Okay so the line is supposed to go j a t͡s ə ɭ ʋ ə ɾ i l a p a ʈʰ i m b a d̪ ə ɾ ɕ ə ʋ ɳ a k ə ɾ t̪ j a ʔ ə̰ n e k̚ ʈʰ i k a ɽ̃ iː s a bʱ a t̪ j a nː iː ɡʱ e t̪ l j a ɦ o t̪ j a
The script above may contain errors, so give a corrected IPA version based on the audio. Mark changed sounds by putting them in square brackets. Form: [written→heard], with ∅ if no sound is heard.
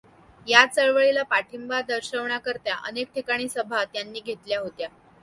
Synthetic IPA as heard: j a t͡s ə ɭ ʋ ə [ɾ→ɭ] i l a p a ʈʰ i m b a d̪ ə ɾ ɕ ə ʋ ɳ a k ə ɾ t̪ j a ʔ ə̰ n e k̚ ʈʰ i k a ɽ̃ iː s [a→ə] bʱ a t̪ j a nː iː ɡʱ e t̪ l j a ɦ o t̪ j a